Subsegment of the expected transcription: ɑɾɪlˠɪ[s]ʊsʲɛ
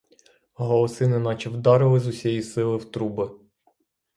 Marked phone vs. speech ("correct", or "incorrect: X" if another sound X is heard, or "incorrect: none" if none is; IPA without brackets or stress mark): incorrect: z